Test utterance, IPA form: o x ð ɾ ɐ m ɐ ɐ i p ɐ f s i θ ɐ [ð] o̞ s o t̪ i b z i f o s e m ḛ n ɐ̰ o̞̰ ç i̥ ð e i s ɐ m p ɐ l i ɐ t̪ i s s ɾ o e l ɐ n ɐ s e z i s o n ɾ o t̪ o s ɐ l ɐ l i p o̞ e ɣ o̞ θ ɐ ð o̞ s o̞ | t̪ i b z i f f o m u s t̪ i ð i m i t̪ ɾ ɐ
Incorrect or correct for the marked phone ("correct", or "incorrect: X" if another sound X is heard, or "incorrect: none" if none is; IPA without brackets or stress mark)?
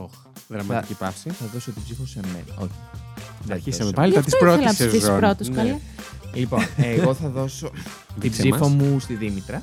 correct